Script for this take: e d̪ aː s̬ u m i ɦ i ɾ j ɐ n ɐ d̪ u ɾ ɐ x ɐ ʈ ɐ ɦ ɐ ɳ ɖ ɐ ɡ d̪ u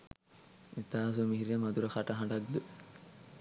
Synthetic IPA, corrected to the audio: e t̪ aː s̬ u m i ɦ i ɾ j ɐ m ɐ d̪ u ɾ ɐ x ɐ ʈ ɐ ɦ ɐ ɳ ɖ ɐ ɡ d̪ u